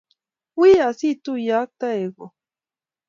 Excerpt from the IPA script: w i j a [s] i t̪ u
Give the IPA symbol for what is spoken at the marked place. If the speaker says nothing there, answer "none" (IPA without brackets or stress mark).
s